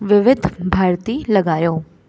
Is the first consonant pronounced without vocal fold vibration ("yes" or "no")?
no